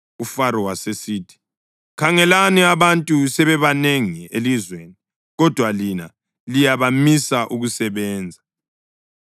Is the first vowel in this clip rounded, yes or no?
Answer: yes